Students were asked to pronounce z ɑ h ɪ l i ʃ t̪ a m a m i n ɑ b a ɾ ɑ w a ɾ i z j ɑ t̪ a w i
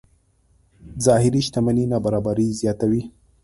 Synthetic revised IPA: z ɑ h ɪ ɾ i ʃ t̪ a m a n i n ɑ b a ɾ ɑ b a ɾ i z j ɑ t̪ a w i